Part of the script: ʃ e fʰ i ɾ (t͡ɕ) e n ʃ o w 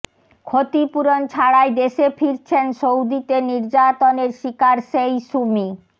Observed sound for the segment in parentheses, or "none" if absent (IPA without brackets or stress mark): t͡ɕʰ